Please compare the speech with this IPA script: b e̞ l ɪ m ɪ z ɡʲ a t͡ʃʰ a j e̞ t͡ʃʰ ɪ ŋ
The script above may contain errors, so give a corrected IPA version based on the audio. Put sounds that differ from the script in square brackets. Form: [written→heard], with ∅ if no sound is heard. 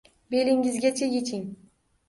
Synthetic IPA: b e̞ l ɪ [m→ŋ] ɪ z ɡʲ a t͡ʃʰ a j e̞ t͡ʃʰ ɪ ŋ